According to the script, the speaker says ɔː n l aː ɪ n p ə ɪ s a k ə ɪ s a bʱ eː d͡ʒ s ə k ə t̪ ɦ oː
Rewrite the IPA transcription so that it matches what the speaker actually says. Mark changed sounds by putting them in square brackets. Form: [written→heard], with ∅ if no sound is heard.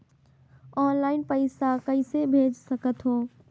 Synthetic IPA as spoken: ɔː n l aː ɪ n p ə ɪ s a k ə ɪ s [a→e] bʱ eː d͡ʒ s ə k ə t̪ ɦ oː